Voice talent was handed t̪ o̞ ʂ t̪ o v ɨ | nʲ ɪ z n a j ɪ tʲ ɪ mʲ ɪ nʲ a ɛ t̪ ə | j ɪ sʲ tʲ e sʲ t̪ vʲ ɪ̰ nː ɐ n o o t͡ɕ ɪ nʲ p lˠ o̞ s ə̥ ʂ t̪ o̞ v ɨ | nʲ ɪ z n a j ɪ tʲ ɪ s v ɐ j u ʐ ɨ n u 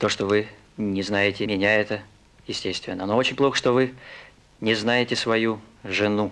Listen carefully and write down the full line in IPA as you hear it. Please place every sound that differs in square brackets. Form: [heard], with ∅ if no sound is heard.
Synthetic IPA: t̪ o̞ ʂ t̪ o v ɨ | nʲ ɪ z n a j ɪ tʲ ɪ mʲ ɪ nʲ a ɛ t̪ ə | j ɪ sʲ tʲ e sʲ t̪ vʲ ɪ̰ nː [ə] n o o t͡ɕ ɪ nʲ p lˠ o̞ [x] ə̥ ʂ t̪ o̞ v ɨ | nʲ ɪ z n a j ɪ tʲ ɪ s v ɐ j u ʐ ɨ n u